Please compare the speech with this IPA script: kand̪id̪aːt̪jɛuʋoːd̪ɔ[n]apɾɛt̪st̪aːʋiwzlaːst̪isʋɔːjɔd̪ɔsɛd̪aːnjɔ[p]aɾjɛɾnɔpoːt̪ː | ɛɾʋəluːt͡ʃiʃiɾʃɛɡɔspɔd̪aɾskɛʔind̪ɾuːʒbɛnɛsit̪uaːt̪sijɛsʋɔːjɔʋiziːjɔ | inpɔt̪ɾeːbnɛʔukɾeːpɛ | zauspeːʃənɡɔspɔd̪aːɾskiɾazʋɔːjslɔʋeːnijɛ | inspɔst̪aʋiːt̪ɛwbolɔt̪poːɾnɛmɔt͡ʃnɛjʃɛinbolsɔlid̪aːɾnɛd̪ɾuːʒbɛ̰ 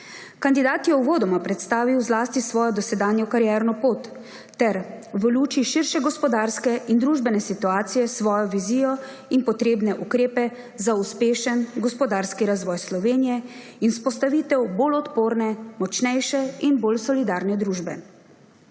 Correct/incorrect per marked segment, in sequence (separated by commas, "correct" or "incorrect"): incorrect, incorrect